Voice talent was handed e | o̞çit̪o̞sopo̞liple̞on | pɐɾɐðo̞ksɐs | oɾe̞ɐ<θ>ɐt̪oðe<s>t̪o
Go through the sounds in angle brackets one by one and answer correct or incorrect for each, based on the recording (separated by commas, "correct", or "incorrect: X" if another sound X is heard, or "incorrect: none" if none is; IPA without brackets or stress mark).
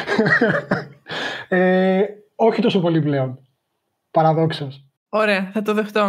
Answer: correct, incorrect: x